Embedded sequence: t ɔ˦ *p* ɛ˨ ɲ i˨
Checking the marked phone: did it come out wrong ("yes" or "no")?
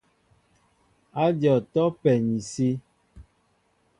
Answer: no